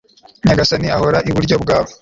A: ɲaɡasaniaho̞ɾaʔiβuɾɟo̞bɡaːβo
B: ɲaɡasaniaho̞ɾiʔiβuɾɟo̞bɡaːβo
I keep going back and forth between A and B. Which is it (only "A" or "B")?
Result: A